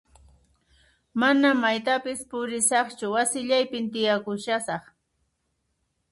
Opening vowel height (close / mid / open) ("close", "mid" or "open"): open